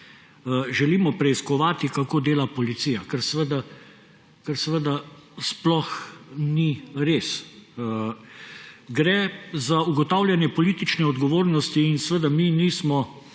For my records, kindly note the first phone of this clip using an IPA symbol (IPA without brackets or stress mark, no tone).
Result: ʒ